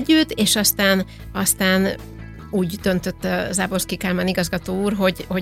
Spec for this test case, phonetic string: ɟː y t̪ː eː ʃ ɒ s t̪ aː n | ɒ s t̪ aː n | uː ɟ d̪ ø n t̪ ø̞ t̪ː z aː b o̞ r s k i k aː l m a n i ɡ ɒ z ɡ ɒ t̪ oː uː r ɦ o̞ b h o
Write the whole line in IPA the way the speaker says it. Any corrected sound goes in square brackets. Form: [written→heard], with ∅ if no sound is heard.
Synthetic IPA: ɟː y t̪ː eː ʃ ɒ s t̪ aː n | ɒ s t̪ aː n | uː ɟ d̪ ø n t̪ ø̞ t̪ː z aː b o̞ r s k i k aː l m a n i ɡ ɒ z ɡ ɒ t̪ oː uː r ɦ o̞ [b→ɟ] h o